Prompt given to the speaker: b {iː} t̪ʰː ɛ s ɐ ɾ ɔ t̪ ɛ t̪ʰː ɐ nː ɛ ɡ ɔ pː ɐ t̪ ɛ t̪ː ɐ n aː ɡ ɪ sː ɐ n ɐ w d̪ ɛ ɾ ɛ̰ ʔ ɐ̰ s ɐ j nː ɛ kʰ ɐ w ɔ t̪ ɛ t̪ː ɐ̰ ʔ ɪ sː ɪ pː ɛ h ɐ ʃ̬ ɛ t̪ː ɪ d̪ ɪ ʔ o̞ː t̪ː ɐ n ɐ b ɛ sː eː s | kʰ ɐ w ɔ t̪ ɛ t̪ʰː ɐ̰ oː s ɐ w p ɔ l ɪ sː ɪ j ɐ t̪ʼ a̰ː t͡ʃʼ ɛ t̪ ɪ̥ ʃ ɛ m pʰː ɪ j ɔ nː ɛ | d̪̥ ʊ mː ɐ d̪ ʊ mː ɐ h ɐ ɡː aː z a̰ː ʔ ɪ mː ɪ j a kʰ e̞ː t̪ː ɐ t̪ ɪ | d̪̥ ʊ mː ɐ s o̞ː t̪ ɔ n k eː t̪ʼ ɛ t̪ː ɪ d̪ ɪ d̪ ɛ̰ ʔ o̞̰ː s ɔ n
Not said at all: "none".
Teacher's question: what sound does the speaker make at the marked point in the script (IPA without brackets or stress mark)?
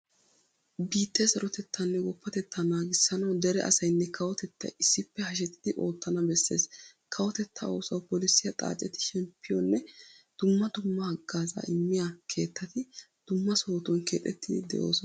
iː